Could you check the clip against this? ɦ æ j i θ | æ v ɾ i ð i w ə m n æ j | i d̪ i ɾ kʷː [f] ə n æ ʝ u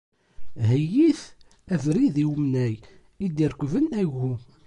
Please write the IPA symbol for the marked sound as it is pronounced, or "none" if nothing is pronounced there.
v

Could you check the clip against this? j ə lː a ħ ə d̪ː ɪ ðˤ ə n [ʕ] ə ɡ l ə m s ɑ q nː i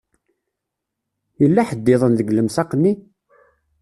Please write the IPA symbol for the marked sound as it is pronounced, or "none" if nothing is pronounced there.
ð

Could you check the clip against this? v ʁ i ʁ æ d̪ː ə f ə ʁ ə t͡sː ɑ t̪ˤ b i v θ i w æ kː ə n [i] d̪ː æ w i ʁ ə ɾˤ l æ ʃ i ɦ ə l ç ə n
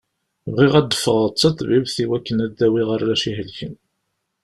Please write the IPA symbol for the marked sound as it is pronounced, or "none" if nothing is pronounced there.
æ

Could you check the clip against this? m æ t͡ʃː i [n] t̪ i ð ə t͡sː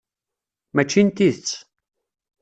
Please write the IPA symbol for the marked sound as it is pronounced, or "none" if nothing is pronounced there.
n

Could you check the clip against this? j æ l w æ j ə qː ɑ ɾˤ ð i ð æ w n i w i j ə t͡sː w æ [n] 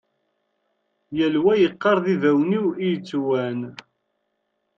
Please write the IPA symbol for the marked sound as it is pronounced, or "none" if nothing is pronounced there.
n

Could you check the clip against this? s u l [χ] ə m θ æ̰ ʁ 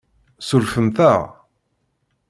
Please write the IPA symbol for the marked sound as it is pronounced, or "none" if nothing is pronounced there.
f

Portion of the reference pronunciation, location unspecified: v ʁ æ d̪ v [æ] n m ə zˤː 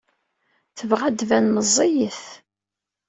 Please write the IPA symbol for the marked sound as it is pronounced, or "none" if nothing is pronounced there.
æ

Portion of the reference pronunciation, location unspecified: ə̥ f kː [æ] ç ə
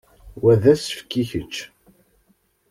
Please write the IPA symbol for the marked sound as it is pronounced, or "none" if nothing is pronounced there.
i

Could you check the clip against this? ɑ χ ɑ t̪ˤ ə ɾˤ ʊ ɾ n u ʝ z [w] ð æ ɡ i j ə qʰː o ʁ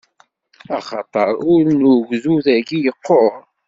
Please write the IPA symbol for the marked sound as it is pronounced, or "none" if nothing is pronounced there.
u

